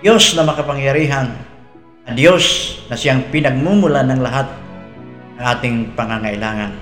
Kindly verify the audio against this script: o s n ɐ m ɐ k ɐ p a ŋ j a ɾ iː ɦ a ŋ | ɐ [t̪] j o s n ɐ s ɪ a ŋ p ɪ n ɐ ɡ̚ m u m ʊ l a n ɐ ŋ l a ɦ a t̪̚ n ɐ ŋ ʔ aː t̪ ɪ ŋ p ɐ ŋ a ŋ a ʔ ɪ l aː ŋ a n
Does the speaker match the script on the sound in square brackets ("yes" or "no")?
no